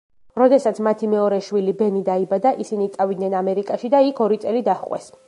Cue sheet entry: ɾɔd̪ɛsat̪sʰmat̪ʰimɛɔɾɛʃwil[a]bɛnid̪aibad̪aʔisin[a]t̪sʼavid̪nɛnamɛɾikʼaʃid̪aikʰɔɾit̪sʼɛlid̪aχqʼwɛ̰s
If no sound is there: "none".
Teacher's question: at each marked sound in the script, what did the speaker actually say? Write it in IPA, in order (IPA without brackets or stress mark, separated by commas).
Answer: i, i